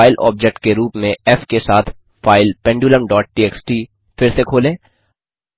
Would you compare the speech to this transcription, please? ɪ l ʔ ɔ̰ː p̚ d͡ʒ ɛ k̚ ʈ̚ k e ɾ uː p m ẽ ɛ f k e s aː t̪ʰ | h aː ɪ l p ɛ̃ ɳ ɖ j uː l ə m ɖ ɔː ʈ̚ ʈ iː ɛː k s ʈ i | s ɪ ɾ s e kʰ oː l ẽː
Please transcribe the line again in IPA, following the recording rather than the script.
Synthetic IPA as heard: ɪ l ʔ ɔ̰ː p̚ d͡ʒ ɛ k̚ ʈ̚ k e ɾ uː p m ẽ ɛ f k e s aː t̪ʰ | f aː ɪ l p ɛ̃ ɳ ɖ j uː l ə m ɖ ɔː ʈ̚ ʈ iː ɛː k s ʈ i | f ɪ ɾ s e kʰ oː l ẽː